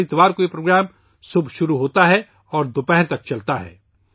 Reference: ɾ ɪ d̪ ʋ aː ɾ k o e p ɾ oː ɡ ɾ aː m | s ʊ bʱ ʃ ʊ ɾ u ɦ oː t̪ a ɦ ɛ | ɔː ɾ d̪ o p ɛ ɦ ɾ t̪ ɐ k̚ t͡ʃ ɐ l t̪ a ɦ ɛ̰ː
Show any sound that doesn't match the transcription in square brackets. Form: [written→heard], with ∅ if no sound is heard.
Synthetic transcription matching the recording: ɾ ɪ [d̪→t̪] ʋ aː ɾ k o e p ɾ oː ɡ ɾ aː m | s ʊ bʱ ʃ ʊ ɾ u ɦ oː t̪ a ɦ ɛ | ɔː ɾ d̪ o p ɛ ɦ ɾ t̪ ɐ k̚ t͡ʃ ɐ l t̪ a ɦ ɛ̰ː

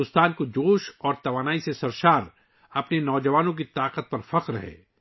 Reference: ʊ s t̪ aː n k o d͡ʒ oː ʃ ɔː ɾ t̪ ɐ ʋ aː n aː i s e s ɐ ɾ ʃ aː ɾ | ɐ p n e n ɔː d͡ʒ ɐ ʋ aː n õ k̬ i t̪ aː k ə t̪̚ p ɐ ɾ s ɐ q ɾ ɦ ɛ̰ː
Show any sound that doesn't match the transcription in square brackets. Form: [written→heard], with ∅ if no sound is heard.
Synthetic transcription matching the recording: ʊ s t̪ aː n k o d͡ʒ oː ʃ ɔː ɾ t̪ ɐ ʋ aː n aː i s e s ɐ ɾ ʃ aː ɾ | ɐ p n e n ɔː d͡ʒ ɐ ʋ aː n õ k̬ i t̪ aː [k→q] ə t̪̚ p ɐ ɾ [s→f] ɐ q ɾ ɦ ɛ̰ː

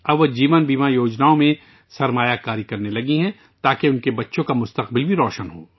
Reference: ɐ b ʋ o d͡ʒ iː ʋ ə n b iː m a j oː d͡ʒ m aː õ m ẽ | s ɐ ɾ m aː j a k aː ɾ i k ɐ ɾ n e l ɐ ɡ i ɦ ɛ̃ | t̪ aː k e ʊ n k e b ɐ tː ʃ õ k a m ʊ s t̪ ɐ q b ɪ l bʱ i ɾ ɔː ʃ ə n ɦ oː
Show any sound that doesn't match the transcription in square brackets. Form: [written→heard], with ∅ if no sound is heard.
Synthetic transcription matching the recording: ɐ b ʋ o d͡ʒ iː ʋ ə n b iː m a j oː d͡ʒ [m→n] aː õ m ẽ | s ɐ ɾ m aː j a k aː ɾ i k ɐ ɾ n e l ɐ ɡ i ɦ ɛ̃ | t̪ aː k e ʊ n k e b ɐ tː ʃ õ k a m ʊ s t̪ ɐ q b ɪ l bʱ i ɾ ɔː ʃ ə n ɦ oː

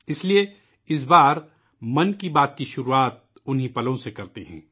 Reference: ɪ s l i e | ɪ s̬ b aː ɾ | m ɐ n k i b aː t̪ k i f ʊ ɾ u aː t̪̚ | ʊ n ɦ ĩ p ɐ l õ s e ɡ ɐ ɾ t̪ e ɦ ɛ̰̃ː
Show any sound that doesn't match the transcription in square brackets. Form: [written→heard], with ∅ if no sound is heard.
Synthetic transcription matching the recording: ɪ s l i e | ɪ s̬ b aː ɾ | m ɐ n k i b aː t̪ k i [f→ʃ] ʊ ɾ u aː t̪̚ | ʊ n ɦ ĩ p ɐ l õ s e [ɡ→k] ɐ ɾ t̪ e ɦ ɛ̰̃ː

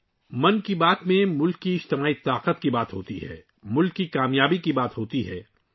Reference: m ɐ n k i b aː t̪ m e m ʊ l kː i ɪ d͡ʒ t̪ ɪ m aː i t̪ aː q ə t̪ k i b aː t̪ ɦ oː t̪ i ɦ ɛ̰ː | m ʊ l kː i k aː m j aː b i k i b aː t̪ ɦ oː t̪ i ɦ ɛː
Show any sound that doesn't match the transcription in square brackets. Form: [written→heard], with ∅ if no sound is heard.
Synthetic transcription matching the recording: m ɐ n k i b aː t̪ m [e→ẽ] m ʊ l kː i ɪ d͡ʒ t̪ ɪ m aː i t̪ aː q ə t̪ k i b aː t̪ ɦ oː t̪ i ɦ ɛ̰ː | m ʊ l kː i k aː m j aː b i k i b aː t̪ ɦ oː t̪ i ɦ ɛː

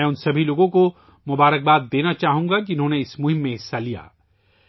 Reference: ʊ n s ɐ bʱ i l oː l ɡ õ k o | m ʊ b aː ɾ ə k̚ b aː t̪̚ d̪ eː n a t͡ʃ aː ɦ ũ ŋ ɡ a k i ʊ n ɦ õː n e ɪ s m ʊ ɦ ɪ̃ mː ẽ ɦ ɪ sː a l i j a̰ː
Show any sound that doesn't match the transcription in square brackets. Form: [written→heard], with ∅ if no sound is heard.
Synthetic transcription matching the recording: ʊ n s ɐ bʱ i l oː [l→∅] ɡ õ k o | m ʊ b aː ɾ ə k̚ b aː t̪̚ d̪ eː n a t͡ʃ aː ɦ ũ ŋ ɡ a k i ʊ n ɦ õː n e ɪ s m ʊ ɦ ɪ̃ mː ẽ ɦ ɪ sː a l i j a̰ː

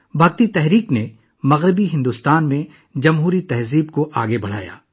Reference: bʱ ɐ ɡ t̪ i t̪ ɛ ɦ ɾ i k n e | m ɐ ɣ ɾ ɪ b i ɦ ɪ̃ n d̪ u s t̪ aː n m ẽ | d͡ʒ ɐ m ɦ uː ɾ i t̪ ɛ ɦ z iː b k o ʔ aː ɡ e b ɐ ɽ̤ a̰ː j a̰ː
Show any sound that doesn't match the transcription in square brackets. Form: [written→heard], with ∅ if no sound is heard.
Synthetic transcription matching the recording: bʱ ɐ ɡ t̪ i t̪ ɛ ɦ ɾ [i→iː] k n e | m ɐ ɣ ɾ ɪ b i ɦ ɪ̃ n d̪ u s t̪ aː n m ẽ | d͡ʒ ɐ m ɦ uː ɾ i t̪ ɛ ɦ z iː b k o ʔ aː ɡ e b ɐ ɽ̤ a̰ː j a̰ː

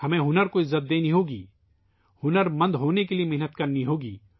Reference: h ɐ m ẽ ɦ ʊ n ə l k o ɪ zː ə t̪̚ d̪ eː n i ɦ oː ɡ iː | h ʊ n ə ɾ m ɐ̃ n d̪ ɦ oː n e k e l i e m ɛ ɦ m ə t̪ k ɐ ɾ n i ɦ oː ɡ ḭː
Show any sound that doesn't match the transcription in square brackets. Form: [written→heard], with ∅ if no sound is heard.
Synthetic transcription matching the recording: h ɐ m ẽ ɦ ʊ n ə [l→ɾ] k o ɪ zː ə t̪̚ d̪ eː n i ɦ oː ɡ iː | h ʊ n ə ɾ m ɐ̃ n d̪ ɦ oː n e k e l i e m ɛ ɦ [m→n] ə t̪ k ɐ ɾ n i ɦ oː ɡ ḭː

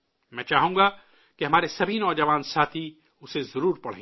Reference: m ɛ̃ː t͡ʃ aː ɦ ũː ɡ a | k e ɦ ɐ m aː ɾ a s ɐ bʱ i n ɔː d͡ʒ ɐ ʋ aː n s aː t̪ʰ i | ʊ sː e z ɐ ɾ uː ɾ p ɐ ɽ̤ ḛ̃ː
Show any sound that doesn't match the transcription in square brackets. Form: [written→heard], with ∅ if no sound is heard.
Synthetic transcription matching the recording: m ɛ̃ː t͡ʃ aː ɦ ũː ɡ a | k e ɦ ɐ m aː ɾ [a→e] s ɐ bʱ i n ɔː d͡ʒ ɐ ʋ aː n s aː t̪ʰ i | ʊ [sː→s] e z ɐ ɾ uː ɾ p ɐ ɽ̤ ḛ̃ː

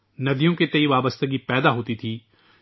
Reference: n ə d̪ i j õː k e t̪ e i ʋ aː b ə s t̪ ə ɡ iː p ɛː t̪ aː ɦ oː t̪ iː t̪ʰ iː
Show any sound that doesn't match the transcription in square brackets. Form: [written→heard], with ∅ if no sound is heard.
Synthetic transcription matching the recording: n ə d̪ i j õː k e t̪ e i ʋ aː b ə s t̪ ə ɡ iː p ɛː [t̪→d̪] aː ɦ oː t̪ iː t̪ʰ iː

